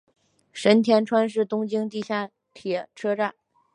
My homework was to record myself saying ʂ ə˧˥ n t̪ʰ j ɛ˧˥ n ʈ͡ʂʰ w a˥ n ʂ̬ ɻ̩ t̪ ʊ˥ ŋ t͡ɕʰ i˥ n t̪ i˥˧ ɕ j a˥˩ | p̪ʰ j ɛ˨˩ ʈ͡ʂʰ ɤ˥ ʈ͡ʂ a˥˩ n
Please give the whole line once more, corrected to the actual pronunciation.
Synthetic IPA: ʂ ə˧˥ n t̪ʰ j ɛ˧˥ n ʈ͡ʂʰ w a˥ n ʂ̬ ɻ̩ t̪ ʊ˥ ŋ t͡ɕ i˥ ŋ t̪ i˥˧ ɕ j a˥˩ | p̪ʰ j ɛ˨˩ ʈ͡ʂʰ ɤ˥ ʈ͡ʂ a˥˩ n